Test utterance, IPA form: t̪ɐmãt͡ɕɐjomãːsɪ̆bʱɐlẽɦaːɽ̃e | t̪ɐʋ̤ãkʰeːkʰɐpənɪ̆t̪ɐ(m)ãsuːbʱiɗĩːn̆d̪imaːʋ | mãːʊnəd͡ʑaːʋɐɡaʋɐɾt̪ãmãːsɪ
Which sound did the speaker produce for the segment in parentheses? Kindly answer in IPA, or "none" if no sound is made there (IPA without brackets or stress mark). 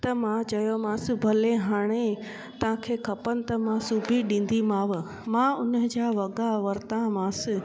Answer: m